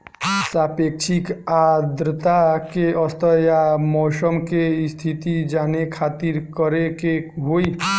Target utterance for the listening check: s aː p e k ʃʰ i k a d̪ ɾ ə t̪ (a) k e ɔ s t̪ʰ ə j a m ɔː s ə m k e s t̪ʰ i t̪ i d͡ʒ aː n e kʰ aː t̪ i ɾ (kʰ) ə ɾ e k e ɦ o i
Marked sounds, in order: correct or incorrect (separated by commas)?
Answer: correct, incorrect